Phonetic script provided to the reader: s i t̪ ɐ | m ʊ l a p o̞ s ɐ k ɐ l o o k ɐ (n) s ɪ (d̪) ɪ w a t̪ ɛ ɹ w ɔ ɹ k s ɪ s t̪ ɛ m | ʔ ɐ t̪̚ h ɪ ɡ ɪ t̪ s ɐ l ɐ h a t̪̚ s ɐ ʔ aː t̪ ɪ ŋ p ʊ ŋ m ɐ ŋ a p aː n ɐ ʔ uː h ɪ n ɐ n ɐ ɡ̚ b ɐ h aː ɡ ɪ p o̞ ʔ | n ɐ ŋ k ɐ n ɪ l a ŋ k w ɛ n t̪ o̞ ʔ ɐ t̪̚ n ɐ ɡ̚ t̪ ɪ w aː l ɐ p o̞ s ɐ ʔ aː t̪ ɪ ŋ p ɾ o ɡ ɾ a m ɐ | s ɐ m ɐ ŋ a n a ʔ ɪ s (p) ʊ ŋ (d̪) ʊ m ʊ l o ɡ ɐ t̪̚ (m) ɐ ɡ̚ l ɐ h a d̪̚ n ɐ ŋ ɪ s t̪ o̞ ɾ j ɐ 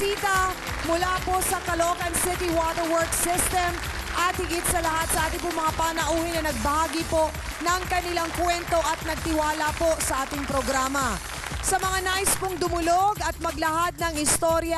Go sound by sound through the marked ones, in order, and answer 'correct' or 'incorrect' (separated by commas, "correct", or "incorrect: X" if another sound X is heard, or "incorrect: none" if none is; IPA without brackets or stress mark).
correct, incorrect: t̪, correct, correct, correct